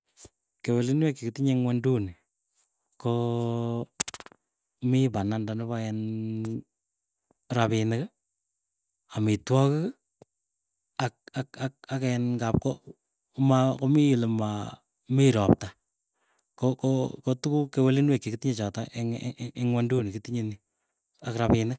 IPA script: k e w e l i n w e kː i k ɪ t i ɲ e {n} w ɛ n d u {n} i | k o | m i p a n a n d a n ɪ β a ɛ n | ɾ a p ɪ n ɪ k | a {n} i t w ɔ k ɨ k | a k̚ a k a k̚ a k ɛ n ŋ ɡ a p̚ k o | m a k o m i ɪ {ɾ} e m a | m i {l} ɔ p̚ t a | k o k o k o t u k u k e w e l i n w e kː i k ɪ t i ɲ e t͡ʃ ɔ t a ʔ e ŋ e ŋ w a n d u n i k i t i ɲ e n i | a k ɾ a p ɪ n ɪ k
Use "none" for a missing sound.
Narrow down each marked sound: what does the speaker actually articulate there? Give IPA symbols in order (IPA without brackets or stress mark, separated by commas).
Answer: ŋ, n, m, l, ɾ